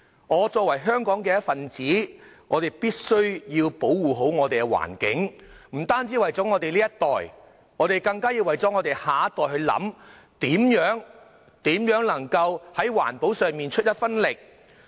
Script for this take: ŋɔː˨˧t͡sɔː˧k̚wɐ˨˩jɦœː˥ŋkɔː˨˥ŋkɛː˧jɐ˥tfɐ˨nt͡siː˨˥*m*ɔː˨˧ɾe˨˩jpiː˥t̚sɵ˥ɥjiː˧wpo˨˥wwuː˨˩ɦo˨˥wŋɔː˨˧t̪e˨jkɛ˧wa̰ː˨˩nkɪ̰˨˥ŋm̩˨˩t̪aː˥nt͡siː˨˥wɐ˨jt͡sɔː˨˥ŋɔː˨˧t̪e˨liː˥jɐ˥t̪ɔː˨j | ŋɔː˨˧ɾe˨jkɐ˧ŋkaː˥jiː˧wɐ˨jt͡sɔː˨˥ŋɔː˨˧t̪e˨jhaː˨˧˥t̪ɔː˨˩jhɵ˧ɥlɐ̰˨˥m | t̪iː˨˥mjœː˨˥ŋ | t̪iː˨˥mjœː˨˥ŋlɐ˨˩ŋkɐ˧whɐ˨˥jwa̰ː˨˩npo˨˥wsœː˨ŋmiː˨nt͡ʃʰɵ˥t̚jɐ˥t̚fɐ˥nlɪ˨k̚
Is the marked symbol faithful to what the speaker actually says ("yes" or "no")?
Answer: no